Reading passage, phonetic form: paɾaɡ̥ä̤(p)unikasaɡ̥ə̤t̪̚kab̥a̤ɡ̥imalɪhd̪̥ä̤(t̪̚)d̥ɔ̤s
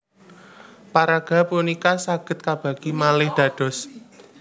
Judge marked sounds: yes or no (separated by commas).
yes, no